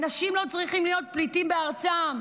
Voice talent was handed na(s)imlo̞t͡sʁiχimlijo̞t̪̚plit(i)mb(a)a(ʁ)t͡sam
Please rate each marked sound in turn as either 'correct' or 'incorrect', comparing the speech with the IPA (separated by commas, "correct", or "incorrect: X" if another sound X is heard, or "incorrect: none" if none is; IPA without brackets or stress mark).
incorrect: ʃ, correct, incorrect: e, correct